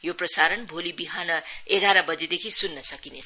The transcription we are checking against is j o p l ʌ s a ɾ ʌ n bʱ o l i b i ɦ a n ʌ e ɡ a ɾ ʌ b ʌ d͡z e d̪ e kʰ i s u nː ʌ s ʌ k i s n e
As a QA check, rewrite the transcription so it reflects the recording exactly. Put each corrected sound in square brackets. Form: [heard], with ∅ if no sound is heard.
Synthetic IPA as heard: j o p [r] ʌ s a ɾ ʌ n bʱ o l i b i ɦ a n ʌ e ɡ a ɾ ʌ b ʌ d͡z e d̪ e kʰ i s u nː ʌ s ʌ k i [∅] n e